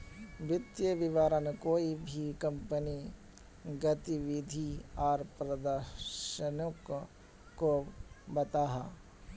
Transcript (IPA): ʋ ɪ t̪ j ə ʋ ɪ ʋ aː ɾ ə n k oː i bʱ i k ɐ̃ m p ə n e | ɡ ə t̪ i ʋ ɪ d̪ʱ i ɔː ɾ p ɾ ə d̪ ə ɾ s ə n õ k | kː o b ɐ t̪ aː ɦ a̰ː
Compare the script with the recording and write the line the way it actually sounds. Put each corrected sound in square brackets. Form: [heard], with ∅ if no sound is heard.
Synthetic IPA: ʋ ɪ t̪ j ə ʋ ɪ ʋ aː ɾ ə n k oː i bʱ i k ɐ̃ m p ə n [i] | ɡ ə t̪ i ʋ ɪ d̪ʱ i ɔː ɾ p ɾ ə d̪ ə ɾ [ʃ] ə n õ k | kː o b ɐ t̪ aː ɦ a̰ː

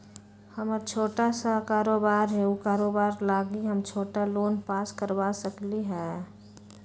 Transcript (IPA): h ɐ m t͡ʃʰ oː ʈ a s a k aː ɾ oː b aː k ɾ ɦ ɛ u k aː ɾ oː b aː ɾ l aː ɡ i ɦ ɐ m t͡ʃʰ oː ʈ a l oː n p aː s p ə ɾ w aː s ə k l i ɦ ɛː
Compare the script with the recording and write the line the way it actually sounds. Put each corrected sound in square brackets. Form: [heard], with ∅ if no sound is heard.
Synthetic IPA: h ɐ m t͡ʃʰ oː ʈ a s a k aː ɾ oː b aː [∅] ɾ ɦ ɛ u k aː ɾ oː b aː ɾ l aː ɡ i ɦ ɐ m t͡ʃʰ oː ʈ a l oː n p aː s [k] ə ɾ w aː s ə k l i ɦ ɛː

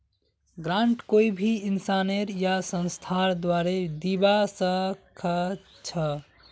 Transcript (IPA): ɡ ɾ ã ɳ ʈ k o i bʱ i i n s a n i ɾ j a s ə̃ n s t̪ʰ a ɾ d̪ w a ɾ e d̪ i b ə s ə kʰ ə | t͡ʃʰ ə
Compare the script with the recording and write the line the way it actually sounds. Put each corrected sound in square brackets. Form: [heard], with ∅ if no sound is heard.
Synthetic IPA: ɡ ɾ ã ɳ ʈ k o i bʱ i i n s a n [e] ɾ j a s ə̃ n s t̪ʰ a ɾ d̪ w a ɾ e d̪ i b [a] s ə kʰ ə | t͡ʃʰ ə

